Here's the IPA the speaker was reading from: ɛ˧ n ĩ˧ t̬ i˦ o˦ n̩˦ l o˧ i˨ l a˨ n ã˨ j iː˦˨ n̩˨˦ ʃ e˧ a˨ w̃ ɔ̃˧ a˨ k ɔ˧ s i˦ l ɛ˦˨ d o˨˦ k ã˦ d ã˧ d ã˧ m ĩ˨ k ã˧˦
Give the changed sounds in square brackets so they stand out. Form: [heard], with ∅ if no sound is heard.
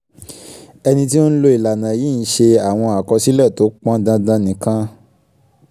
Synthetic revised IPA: ɛ˧ n ĩ˧ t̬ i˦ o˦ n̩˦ l o˧ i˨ l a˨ n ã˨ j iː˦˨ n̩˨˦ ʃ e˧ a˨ w̃ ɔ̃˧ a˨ k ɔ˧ s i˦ l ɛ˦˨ [t] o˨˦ [k͡p] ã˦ d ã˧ d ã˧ [n] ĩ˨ k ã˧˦